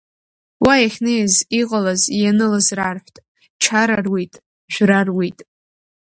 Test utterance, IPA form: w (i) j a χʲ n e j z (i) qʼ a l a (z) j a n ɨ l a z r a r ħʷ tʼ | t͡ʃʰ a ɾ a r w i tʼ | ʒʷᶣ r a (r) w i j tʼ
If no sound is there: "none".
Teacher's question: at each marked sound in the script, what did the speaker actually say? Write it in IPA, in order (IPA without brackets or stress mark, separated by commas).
a, i, z, r